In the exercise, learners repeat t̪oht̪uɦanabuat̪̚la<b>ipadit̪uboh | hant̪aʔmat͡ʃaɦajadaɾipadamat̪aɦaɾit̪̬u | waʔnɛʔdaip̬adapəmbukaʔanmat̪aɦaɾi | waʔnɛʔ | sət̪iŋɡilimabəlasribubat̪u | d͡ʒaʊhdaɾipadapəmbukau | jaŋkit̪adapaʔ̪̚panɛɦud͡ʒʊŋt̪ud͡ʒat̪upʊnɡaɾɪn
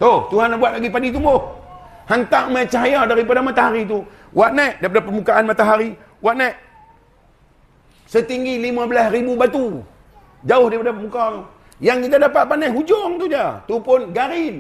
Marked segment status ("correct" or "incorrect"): incorrect